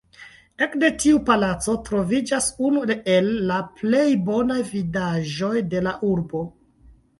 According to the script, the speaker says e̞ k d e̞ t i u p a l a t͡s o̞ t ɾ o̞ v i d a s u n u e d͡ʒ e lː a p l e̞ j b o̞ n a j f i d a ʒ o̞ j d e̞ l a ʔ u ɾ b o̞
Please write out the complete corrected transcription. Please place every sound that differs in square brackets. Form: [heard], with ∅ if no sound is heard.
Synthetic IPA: e̞ k d e̞ t i u p a l a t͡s o̞ t ɾ o̞ v i [d͡ʒ] a s u n u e [∅] e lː a p l e̞ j b o̞ n a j [v] i d a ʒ o̞ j d e̞ l a ʔ u ɾ b o̞